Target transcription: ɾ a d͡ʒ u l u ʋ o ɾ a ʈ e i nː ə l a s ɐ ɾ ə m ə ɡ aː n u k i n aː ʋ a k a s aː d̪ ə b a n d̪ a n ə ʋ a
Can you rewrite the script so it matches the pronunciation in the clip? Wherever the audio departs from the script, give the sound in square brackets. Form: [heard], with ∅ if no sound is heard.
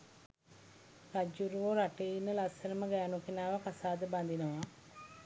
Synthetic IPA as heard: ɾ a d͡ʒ u [ɾ] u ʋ o ɾ a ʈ e i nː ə l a s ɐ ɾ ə m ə ɡ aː n u k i n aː ʋ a k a s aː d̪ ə b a n d̪ [i] n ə ʋ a